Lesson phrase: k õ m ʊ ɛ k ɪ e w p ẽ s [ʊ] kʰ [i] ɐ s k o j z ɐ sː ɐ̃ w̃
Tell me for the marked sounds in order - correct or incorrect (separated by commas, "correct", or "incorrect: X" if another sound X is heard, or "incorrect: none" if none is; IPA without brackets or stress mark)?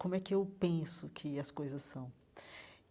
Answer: correct, incorrect: ɪ